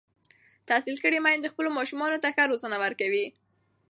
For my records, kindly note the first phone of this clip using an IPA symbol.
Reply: t̪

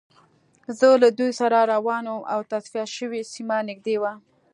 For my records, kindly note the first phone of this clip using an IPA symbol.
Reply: z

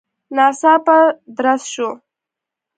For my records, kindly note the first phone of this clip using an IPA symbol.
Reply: n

